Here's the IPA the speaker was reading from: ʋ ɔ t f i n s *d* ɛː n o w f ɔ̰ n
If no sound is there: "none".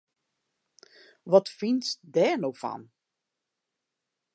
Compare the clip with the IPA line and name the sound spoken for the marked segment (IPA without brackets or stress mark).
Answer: d